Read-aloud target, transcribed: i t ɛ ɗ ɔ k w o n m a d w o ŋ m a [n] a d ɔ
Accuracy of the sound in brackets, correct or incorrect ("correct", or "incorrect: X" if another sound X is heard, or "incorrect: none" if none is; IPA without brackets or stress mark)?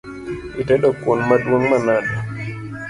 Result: correct